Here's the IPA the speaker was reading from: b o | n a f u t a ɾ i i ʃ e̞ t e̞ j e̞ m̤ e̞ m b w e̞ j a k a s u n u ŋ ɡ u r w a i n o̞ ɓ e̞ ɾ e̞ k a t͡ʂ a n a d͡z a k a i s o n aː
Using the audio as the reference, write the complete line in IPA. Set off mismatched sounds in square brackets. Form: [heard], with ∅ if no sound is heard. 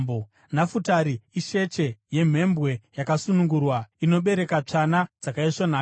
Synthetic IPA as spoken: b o | n a f u t a ɾ i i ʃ e̞ [t͡ʃ] e̞ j e̞ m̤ e̞ m b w e̞ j a k a s u n u ŋ ɡ u r w a i n o̞ ɓ e̞ ɾ e̞ k a t͡ʂ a n a d͡z a k a i [ʂ] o n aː